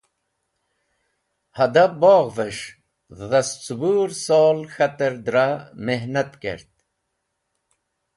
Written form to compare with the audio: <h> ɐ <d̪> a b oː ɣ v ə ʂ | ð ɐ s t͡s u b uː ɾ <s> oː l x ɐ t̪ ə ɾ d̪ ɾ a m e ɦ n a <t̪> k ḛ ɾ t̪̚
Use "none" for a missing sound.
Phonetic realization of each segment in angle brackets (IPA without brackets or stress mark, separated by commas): h, d̪, s, t̪